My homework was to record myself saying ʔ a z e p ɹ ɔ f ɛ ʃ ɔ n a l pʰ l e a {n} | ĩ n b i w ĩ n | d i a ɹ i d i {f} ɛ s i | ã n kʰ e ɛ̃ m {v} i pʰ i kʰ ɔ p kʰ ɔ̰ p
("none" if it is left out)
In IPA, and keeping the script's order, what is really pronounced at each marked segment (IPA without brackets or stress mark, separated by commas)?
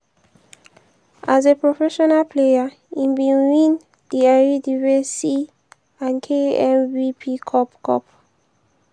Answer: none, v, v